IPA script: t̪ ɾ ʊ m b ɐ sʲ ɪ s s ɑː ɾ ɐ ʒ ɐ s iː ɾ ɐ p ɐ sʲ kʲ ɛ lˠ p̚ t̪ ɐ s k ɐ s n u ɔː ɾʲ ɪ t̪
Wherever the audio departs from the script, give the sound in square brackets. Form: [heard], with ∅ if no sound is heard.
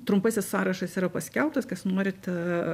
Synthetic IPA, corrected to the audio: t̪ ɾ ʊ m [p] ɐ sʲ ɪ s s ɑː ɾ ɐ [ʃ] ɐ s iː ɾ ɐ p ɐ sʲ kʲ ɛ lˠ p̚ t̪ ɐ s k ɐ s n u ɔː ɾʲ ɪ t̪